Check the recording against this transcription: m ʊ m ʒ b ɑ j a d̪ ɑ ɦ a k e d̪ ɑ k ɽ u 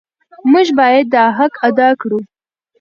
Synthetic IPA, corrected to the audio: m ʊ ʒ b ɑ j a d̪ː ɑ ɦ a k a d̪ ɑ k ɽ u

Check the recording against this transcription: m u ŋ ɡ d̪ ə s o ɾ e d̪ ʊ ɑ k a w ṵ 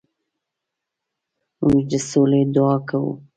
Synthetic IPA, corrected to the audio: m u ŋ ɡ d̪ ə s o l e d̪ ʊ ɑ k a w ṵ

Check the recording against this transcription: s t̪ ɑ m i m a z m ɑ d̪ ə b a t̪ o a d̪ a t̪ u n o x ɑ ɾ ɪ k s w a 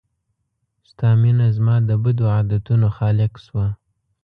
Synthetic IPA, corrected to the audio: s t̪ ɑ m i n a z m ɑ d̪ ə b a d̪ o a d̪ a t̪ u n o x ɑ l ɪ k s w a

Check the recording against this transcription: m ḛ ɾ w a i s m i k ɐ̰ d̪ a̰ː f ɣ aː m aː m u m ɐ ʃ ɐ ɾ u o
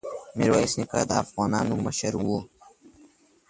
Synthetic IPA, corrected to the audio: m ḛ ɾ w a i s n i k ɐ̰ d̪ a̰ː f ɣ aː n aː n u m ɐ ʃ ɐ ɾ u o

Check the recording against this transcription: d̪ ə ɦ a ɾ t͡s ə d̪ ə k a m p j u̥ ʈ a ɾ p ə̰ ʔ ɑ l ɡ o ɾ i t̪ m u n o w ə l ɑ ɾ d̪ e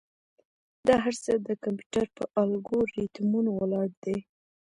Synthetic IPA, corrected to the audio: d̪ ɑ ɦ a ɾ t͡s ə d̪ ə k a m p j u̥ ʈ a ɾ p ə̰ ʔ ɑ l ɡ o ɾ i t̪ m u n o w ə l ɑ ɽ d̪ e

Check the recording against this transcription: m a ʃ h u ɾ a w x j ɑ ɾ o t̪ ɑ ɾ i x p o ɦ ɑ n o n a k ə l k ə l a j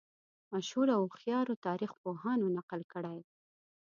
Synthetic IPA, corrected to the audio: m a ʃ h u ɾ a w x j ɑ ɾ o t̪ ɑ ɾ i x p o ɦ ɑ n o n a q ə l k ə ɽ a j

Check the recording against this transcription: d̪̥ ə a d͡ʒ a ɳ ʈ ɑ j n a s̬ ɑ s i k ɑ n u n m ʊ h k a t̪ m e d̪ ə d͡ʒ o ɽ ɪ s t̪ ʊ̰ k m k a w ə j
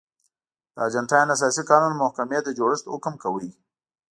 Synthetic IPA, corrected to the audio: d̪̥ ə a d͡ʒ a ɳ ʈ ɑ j n a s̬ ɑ s i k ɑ n u n m ʊ h k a m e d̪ ə d͡ʒ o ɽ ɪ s t̪ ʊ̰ k m k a w ə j

